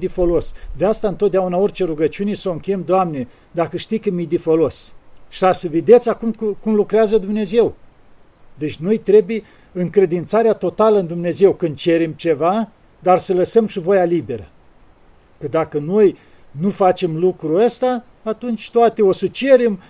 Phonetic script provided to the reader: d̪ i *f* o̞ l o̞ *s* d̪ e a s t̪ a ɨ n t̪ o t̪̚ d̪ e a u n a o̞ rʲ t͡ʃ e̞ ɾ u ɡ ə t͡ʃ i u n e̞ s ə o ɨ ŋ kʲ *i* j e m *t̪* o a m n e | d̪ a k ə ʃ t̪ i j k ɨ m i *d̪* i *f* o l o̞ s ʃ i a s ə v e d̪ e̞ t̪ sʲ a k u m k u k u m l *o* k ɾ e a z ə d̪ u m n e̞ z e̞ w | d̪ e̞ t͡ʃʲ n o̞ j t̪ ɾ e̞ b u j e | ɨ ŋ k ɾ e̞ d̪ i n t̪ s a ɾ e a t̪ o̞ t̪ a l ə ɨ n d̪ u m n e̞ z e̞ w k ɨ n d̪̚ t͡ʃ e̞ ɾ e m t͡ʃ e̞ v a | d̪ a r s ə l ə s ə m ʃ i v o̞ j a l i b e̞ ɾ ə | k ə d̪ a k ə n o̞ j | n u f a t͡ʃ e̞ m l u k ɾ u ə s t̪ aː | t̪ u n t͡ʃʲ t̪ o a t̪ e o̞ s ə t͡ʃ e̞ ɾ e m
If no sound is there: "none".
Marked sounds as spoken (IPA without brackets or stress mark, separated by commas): f, s, e, d̪, d̪, f, u